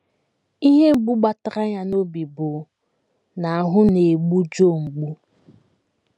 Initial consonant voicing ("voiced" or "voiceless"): voiced